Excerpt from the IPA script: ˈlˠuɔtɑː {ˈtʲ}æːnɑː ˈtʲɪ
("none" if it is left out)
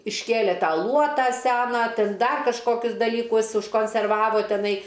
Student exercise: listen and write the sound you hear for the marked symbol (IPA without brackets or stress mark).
sʲ